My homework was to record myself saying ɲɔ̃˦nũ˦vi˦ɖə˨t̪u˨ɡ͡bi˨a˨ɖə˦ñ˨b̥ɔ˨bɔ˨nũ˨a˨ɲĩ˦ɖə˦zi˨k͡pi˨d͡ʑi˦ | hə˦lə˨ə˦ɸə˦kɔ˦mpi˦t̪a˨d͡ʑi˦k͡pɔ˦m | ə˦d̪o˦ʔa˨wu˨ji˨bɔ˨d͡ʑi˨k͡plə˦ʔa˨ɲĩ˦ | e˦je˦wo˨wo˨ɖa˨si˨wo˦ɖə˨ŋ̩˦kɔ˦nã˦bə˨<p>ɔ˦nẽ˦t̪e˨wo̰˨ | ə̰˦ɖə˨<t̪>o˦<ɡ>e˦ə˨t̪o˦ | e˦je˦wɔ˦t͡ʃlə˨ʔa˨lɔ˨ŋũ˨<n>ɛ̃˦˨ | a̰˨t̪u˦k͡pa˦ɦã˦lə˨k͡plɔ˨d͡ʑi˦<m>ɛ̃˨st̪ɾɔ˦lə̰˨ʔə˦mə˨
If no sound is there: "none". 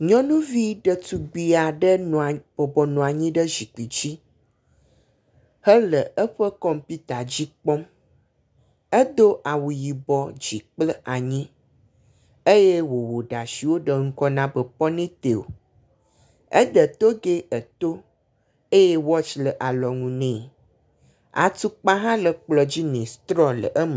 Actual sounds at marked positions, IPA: p, t̪, ɡ, n, n

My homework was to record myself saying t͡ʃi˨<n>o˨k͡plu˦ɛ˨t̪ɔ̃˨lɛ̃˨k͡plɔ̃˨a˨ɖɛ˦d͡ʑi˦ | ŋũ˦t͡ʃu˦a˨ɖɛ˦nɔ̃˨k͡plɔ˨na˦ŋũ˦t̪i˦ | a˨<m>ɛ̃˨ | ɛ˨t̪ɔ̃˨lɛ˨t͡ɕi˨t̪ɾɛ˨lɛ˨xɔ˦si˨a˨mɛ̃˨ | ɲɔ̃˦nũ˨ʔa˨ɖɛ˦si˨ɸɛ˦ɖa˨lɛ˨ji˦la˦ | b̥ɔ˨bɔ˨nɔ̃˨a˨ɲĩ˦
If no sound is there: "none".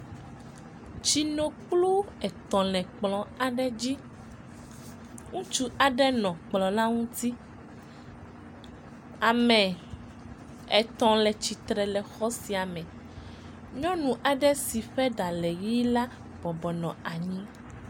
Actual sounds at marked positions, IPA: n, m

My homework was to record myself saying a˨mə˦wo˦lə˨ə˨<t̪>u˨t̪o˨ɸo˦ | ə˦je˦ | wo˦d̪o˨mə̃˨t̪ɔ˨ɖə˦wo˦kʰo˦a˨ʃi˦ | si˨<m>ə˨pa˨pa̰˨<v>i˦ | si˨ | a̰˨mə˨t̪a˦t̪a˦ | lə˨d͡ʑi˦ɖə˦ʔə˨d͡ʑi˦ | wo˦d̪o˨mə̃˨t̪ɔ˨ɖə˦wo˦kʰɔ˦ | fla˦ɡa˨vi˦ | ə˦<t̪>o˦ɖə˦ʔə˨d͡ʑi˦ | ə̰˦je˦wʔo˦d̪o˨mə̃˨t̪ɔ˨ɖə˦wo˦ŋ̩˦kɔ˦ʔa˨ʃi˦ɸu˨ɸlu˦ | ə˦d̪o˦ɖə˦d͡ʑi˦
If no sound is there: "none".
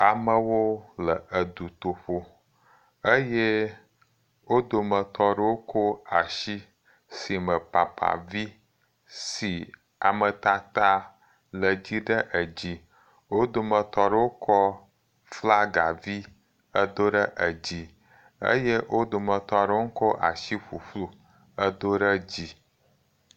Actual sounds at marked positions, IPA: d̪, m, v, d̪

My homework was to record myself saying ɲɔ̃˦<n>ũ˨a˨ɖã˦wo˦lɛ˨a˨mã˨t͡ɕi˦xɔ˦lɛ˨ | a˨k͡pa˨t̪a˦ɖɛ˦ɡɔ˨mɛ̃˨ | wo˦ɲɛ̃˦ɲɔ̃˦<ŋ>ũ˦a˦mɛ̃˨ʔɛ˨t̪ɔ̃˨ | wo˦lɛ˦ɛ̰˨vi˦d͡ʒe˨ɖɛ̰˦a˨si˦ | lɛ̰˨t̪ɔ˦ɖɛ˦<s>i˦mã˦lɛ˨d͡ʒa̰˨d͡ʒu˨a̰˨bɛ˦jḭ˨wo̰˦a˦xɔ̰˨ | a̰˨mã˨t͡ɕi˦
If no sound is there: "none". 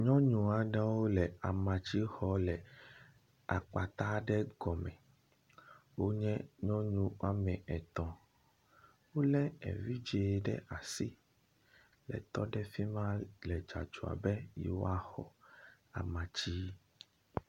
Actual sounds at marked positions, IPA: ɲ, ɲ, f

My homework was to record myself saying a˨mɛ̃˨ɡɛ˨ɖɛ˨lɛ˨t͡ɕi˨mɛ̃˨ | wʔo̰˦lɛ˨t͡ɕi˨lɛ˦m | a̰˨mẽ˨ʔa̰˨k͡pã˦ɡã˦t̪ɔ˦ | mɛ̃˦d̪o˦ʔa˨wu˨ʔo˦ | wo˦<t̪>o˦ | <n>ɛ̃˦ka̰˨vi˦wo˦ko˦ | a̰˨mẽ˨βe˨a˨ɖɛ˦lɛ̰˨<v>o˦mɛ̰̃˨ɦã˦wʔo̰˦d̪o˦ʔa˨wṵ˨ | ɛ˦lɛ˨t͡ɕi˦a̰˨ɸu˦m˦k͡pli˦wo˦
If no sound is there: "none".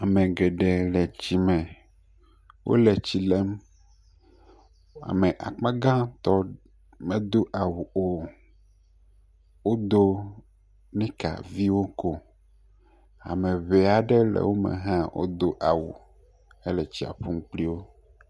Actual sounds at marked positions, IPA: d̪, n, w

